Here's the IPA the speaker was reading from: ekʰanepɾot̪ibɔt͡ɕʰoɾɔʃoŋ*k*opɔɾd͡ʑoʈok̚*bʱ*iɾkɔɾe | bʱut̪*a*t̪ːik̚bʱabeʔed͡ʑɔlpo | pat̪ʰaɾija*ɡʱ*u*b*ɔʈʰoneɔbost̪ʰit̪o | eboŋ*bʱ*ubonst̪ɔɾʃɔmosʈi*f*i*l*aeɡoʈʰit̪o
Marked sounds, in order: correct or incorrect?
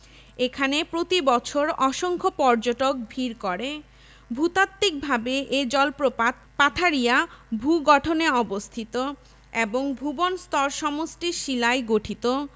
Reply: incorrect, correct, correct, incorrect, incorrect, correct, incorrect, correct

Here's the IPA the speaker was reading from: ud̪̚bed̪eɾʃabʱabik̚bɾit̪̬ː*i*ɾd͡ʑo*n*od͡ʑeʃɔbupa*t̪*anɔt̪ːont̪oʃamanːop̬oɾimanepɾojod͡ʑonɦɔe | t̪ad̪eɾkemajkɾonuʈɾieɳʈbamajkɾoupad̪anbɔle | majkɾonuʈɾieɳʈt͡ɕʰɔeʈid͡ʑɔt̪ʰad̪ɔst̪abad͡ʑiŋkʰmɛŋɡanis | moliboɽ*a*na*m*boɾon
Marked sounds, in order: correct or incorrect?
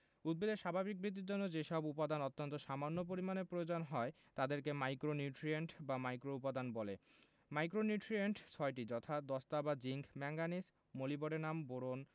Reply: correct, incorrect, incorrect, incorrect, correct

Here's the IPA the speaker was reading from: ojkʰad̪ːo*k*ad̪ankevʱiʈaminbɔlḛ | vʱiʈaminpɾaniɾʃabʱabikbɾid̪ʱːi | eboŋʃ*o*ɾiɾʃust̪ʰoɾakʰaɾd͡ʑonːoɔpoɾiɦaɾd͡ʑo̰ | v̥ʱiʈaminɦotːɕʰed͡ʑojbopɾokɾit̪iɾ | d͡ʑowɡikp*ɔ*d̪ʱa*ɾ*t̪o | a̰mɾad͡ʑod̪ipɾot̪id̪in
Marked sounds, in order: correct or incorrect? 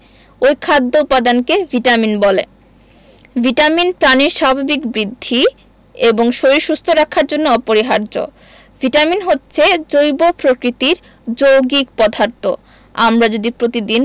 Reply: incorrect, correct, correct, correct

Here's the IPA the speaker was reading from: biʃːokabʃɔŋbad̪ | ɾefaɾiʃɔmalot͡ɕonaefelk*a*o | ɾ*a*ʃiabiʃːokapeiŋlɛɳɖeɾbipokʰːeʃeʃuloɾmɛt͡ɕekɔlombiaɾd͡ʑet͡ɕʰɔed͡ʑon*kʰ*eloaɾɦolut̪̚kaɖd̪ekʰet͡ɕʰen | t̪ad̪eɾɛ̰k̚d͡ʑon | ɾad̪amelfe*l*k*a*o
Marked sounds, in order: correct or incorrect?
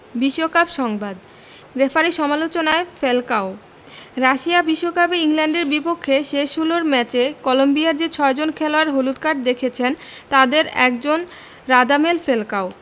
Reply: correct, correct, correct, correct, correct

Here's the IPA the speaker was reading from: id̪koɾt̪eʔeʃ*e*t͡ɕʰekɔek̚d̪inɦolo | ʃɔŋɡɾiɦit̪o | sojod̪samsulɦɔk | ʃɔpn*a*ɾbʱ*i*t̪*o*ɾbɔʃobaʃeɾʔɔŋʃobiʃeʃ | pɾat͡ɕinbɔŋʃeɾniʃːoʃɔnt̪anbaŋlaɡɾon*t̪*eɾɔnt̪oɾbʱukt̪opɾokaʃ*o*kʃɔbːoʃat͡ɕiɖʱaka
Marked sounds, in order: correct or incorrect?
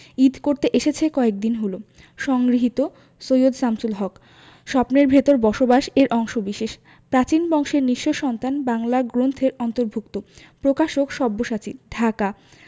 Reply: correct, incorrect, incorrect, correct, incorrect, correct

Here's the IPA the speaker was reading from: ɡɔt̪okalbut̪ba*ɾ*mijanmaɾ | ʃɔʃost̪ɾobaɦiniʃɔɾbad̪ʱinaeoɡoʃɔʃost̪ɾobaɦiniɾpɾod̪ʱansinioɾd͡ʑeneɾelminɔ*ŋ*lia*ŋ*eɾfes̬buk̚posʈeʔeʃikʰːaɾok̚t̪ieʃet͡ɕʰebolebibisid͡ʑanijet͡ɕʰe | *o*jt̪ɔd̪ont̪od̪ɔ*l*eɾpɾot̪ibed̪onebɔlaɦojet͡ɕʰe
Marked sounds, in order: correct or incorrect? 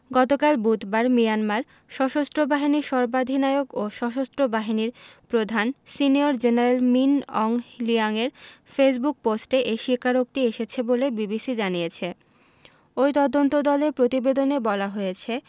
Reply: correct, correct, correct, correct, correct

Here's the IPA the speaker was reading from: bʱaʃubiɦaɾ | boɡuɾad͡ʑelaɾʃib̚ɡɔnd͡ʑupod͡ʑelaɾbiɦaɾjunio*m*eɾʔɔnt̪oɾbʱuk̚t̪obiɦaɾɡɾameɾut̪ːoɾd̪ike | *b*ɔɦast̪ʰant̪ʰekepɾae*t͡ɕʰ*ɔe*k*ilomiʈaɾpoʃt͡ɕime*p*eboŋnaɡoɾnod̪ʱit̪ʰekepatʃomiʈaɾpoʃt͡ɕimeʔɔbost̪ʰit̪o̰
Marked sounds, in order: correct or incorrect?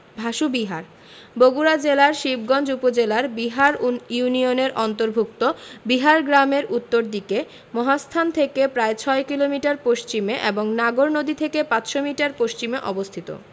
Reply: incorrect, incorrect, correct, correct, incorrect

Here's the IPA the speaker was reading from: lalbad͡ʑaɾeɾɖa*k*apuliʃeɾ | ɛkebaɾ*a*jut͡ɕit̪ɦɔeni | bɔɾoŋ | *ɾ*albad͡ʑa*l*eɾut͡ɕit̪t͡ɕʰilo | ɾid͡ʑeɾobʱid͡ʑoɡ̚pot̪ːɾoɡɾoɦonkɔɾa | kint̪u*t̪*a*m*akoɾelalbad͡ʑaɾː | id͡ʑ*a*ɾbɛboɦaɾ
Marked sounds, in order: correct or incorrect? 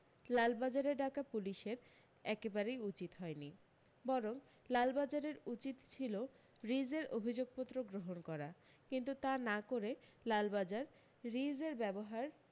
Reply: correct, incorrect, incorrect, incorrect, correct, incorrect, incorrect

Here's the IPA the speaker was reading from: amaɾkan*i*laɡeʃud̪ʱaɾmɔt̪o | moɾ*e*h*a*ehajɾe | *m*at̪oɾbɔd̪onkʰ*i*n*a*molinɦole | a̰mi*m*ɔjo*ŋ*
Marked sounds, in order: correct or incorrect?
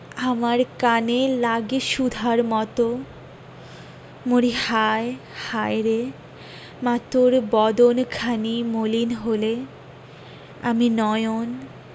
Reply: incorrect, incorrect, correct, correct, incorrect, incorrect, incorrect, incorrect

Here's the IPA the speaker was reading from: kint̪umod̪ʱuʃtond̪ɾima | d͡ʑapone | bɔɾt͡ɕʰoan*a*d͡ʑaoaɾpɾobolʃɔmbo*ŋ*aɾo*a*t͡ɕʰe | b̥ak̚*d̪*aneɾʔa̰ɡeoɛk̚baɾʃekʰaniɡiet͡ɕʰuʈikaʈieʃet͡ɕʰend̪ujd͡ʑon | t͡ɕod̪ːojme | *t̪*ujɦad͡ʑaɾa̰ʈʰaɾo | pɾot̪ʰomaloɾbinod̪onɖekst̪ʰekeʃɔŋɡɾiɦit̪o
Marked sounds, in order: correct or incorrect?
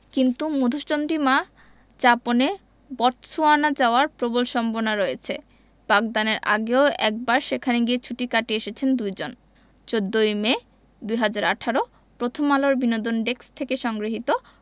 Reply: correct, incorrect, incorrect, correct, incorrect

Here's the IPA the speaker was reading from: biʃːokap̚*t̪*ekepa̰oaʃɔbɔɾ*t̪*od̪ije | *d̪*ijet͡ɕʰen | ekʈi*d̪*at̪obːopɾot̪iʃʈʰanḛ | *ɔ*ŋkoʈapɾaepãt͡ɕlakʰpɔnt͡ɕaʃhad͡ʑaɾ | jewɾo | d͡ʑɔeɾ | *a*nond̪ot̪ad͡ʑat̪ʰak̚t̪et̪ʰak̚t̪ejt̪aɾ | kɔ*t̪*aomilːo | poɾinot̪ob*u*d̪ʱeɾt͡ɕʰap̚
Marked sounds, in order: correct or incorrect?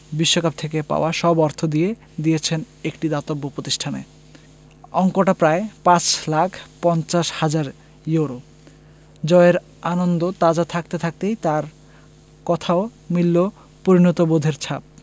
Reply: incorrect, incorrect, correct, correct, correct, correct, incorrect, incorrect

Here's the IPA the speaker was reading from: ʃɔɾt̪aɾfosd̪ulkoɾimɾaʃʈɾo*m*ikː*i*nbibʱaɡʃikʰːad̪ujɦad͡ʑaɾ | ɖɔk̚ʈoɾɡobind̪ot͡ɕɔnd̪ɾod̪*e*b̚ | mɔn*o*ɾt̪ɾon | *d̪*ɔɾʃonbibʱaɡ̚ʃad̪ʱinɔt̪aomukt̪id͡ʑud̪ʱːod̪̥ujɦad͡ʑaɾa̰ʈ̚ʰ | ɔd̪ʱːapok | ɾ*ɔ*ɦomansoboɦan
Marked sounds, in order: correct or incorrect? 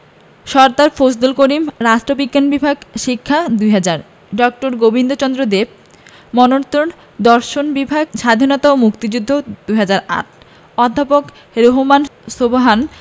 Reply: incorrect, incorrect, correct, correct, correct, incorrect

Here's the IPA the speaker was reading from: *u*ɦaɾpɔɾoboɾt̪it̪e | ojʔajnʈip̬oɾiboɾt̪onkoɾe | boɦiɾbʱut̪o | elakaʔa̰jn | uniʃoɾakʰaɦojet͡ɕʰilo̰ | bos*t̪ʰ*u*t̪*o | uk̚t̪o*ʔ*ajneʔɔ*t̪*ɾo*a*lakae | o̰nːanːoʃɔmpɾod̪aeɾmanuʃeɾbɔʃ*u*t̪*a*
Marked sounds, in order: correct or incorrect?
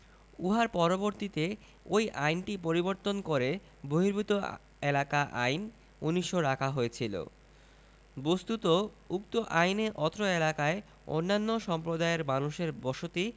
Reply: correct, incorrect, correct, correct, correct, incorrect, incorrect, incorrect

